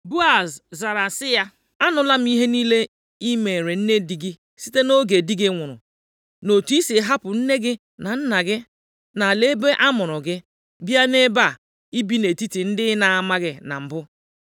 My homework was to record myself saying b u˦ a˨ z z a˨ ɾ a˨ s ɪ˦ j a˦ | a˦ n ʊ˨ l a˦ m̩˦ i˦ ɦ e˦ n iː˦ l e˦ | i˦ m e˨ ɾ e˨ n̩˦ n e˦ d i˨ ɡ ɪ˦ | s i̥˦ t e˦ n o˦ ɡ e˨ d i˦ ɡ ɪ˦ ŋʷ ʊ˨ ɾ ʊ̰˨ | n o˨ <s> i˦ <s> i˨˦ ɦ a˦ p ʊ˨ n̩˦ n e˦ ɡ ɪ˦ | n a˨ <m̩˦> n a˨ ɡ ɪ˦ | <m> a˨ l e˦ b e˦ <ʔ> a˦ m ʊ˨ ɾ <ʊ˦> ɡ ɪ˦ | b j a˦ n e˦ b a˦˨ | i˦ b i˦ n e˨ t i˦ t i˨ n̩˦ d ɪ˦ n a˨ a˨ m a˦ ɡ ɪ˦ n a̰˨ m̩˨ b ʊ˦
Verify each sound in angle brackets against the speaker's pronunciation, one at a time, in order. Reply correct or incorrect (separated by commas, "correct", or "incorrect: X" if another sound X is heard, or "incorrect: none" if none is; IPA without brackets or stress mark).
incorrect: t, correct, incorrect: n̩˦, incorrect: n, correct, incorrect: ʊ˨